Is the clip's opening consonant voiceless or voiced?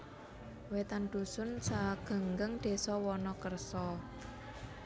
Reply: voiced